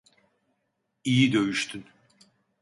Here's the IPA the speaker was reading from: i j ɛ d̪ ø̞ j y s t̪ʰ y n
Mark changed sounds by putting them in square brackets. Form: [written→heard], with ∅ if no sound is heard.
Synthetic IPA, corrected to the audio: i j [ɛ→i] d̪ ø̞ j y [s→ʃ] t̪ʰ y n